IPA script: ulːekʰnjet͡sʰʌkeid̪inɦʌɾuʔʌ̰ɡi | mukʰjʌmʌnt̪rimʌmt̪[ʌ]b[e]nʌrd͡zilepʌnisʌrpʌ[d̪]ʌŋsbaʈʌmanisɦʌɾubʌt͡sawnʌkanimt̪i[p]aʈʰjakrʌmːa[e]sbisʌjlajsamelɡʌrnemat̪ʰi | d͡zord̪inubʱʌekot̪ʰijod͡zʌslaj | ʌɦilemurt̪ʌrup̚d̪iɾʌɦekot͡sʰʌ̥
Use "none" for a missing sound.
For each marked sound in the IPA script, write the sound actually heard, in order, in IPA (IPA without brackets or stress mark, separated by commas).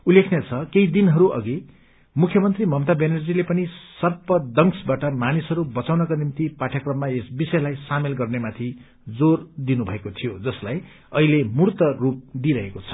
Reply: a, e, d̪, p, e